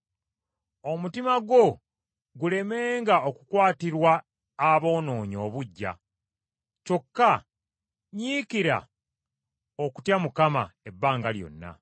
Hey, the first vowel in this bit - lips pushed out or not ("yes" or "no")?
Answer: yes